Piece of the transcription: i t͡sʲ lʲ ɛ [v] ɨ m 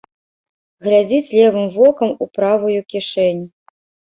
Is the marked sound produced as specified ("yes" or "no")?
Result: yes